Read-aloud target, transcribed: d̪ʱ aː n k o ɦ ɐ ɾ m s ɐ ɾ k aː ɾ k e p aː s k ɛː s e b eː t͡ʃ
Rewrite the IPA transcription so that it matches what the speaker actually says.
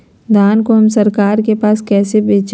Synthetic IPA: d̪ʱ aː n k o ɦ ɐ m s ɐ ɾ k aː ɾ k e p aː s k ɛː s e b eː t͡ʃ